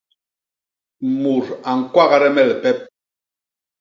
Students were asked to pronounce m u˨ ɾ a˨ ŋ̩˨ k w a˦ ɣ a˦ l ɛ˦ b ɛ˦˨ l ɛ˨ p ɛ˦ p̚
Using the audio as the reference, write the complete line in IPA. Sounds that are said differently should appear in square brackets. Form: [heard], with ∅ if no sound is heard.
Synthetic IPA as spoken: m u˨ ɾ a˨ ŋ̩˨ k w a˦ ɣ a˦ [ɾ] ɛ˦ [m] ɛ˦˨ l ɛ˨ p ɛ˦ p̚